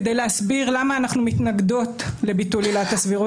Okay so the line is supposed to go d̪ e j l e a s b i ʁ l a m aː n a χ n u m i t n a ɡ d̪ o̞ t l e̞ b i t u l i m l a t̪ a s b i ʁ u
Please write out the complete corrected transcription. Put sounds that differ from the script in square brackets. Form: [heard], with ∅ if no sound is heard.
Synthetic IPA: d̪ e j l e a s b i ʁ l a m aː n a χ n u m i t n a ɡ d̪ o̞ t l e̞ b i t u l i [∅] l a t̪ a s [v] i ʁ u